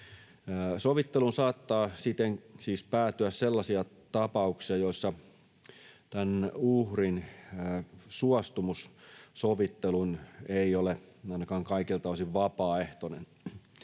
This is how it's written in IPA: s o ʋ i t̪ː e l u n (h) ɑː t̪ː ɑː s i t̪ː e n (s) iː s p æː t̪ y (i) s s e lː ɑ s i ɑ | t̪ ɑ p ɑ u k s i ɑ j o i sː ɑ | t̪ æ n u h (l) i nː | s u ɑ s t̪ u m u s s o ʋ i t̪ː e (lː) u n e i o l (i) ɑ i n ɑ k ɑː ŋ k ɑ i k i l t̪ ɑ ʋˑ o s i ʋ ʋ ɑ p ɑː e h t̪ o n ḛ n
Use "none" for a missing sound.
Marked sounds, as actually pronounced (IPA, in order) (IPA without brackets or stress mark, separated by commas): s, s, æ, r, l, e